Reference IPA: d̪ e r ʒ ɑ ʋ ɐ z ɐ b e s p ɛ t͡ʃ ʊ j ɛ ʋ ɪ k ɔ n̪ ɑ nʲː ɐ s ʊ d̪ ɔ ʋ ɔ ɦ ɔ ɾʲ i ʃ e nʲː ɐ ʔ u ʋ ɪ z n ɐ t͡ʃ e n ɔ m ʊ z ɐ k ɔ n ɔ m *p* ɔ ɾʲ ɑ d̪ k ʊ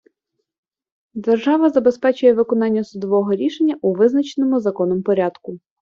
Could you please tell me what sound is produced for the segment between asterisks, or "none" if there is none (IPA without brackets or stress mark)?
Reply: p